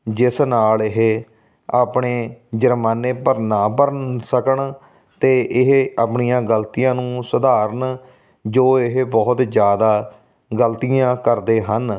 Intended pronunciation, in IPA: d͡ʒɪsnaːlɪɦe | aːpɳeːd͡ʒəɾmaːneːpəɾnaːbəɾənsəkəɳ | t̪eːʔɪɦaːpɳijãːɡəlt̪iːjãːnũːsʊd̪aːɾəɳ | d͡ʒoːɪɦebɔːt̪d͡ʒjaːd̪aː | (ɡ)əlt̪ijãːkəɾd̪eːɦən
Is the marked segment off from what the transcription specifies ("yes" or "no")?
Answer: no